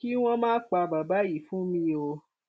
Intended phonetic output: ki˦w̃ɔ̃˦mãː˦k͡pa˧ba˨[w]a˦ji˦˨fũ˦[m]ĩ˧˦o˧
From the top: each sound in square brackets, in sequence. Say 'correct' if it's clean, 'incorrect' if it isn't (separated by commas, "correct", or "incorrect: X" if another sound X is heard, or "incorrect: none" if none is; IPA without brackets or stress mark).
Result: incorrect: b, correct